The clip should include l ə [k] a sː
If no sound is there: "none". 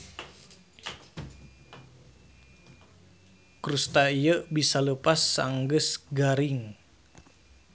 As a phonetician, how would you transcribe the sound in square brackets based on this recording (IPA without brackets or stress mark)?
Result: p